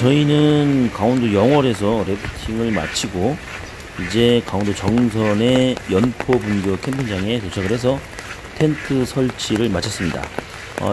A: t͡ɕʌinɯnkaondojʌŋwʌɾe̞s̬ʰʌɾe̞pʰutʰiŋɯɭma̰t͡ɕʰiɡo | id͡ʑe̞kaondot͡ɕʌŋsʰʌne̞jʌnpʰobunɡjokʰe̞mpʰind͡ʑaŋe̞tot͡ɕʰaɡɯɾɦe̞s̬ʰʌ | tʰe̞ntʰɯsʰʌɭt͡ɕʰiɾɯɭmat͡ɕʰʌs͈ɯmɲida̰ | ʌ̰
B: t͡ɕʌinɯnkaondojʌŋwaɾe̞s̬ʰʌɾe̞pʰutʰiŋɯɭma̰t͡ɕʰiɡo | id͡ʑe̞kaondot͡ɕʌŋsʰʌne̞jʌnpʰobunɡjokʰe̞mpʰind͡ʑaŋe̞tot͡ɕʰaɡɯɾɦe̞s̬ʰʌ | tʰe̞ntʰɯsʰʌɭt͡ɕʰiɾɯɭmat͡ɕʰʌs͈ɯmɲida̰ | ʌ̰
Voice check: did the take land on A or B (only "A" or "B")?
A